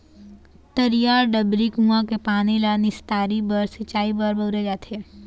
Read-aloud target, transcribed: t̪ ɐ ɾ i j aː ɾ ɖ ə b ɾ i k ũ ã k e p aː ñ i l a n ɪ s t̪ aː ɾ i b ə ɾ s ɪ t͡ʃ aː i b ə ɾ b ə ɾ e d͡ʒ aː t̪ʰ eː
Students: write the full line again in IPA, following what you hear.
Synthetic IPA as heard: t̪ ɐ ɾ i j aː ɾ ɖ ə b ɾ i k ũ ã k e p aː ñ i l a n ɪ s t̪ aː ɾ i b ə ɾ s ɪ t͡ʃ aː i b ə ɾ b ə ɾ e d͡ʒ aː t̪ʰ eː